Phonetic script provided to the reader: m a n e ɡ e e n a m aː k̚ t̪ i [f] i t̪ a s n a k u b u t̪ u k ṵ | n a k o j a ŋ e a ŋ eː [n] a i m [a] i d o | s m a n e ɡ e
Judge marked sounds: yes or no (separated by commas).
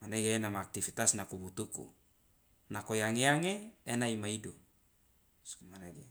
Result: yes, yes, yes